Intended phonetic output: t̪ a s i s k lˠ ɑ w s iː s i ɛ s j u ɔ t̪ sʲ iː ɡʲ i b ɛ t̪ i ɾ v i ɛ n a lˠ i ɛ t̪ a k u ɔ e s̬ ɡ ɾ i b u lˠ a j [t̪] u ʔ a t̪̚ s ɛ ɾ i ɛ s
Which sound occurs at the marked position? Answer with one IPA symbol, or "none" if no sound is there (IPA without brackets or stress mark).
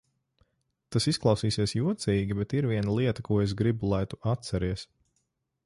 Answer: t̪